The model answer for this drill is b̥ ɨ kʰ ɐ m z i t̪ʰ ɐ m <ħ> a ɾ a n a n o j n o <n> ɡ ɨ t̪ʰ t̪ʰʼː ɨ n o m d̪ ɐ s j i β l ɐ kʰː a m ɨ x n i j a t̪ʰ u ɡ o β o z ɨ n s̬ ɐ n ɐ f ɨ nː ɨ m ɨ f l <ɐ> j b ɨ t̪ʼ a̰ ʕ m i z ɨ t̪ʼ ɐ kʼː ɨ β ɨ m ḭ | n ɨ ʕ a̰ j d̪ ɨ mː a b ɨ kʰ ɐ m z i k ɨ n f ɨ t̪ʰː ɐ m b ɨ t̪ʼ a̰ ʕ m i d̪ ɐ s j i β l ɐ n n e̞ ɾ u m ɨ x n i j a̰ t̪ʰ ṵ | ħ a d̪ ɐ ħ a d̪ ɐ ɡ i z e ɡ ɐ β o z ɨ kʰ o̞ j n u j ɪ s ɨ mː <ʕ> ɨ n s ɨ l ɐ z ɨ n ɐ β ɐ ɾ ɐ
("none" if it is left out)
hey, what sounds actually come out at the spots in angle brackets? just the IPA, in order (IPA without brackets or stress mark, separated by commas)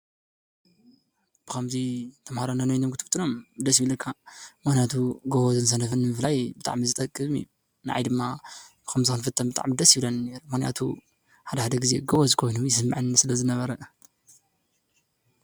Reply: h, m, a, ʕ